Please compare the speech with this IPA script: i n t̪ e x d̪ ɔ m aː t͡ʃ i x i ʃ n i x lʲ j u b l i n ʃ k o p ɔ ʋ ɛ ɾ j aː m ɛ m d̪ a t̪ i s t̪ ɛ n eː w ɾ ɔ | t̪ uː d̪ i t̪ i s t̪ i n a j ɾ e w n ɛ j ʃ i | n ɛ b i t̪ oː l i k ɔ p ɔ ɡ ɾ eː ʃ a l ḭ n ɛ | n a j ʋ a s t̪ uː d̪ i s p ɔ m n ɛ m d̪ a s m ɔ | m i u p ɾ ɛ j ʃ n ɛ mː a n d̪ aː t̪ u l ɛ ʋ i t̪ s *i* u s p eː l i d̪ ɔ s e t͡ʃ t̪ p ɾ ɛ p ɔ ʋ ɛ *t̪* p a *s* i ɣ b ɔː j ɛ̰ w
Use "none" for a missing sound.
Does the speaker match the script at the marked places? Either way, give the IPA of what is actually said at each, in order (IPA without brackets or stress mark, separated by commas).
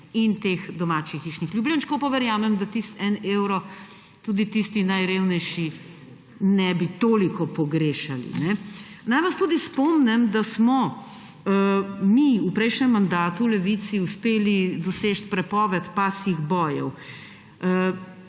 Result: i, t̪, s